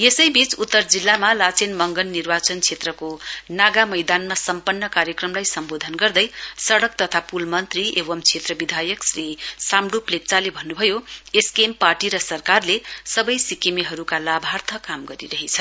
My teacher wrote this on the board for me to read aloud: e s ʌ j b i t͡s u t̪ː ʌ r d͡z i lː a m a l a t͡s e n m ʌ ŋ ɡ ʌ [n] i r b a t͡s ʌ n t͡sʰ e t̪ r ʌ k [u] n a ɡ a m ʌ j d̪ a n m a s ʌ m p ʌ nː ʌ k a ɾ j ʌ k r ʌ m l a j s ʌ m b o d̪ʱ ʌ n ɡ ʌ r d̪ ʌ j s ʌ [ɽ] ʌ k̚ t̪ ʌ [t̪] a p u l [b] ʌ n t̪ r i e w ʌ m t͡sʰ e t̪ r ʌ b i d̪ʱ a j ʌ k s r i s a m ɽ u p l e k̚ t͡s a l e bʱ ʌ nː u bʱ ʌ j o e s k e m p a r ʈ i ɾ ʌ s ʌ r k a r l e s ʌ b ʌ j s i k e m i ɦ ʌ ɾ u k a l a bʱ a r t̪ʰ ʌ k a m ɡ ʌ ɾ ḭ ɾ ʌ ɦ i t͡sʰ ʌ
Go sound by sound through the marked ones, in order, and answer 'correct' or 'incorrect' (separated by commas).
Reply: incorrect, incorrect, correct, incorrect, incorrect